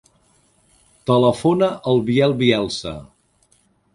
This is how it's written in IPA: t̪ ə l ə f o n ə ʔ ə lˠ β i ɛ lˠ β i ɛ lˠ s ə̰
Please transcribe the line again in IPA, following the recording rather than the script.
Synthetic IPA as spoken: t̪ ə l ə f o n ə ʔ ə lˠ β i ɛ lˠ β i ɛ lˠ s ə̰